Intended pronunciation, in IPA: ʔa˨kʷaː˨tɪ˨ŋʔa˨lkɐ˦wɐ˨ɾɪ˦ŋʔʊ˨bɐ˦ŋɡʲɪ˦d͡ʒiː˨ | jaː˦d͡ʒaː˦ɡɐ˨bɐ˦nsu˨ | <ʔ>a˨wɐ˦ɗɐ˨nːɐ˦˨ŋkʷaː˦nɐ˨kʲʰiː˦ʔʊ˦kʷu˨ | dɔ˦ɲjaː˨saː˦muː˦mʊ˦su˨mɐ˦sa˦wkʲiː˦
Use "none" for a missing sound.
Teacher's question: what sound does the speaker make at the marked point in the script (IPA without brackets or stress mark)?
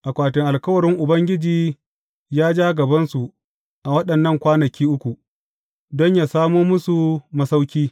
ʔ